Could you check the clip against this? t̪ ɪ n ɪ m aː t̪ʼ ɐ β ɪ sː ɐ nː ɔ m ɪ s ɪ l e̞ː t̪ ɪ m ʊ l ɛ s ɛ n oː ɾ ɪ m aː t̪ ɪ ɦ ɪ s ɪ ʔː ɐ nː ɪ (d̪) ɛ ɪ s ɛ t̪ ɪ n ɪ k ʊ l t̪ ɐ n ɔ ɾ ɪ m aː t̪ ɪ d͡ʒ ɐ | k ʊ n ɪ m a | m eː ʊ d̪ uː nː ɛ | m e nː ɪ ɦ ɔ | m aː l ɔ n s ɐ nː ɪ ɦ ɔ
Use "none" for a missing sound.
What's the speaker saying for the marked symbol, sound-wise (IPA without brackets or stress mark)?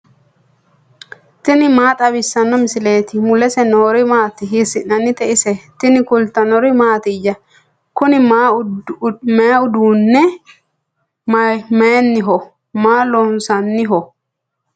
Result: t̪